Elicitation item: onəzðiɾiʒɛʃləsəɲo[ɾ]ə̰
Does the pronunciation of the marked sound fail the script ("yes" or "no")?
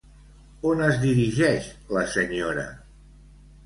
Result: no